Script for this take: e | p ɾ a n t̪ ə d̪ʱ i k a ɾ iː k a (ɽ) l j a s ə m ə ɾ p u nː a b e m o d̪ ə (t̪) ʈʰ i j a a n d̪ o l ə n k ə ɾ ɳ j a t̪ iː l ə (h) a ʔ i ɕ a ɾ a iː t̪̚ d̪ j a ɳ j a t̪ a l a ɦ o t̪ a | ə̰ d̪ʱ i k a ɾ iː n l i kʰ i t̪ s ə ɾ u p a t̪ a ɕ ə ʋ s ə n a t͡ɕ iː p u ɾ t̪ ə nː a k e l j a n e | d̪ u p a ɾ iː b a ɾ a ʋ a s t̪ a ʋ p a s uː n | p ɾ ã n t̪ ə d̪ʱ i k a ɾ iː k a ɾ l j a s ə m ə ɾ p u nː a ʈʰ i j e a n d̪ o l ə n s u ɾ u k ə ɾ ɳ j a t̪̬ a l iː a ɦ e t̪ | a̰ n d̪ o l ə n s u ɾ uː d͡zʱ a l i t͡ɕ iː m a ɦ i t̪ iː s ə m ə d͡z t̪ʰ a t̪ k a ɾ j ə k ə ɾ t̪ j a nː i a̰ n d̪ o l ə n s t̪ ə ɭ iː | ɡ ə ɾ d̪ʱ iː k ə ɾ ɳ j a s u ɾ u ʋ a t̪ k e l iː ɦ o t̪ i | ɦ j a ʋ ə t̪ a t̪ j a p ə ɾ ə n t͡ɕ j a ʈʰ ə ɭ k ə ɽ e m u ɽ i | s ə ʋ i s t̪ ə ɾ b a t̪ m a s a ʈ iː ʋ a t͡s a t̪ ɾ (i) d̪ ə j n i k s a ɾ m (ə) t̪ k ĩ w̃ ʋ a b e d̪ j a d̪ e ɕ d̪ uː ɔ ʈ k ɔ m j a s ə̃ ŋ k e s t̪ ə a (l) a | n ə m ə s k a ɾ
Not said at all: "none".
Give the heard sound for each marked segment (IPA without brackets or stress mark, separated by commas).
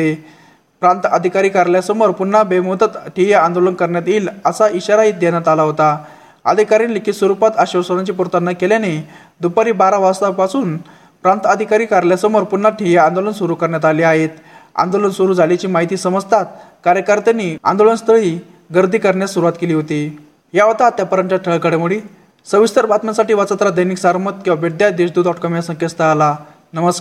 ɾ, t̪, s, a, ə, l